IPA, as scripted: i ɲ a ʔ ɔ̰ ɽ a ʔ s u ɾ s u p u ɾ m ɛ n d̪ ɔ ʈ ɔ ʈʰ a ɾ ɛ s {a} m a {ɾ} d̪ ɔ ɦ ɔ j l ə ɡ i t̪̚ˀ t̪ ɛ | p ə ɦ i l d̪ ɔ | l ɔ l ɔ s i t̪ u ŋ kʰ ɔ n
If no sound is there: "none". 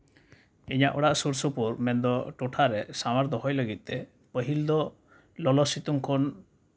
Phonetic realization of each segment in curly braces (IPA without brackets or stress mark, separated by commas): a, ɾ